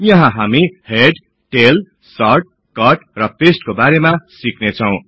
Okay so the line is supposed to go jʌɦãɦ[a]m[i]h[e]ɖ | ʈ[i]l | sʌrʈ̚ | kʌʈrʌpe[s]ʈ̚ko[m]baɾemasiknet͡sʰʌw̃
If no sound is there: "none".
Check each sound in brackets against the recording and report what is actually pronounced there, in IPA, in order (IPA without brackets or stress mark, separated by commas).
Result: a, i, e, e, s, none